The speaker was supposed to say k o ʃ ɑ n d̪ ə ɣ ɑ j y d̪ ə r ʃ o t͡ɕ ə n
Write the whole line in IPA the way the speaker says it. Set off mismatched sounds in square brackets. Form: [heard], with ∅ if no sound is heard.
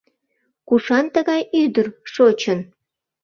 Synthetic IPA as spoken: k [u] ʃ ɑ n [t̪] ə ɣ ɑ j y d̪ ə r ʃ o t͡ɕ ə n